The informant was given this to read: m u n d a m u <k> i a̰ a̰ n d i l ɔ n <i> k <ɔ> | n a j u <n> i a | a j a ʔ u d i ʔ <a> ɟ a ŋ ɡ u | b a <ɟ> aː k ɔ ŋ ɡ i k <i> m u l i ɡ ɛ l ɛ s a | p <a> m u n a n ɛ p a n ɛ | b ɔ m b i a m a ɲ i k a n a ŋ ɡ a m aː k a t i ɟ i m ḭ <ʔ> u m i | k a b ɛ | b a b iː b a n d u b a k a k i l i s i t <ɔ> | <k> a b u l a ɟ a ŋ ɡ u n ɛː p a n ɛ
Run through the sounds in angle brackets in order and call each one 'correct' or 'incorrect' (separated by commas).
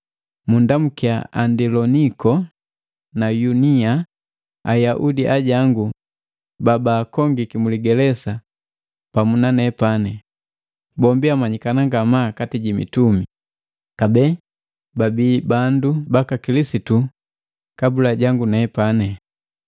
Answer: correct, correct, correct, correct, correct, incorrect, correct, correct, incorrect, incorrect, correct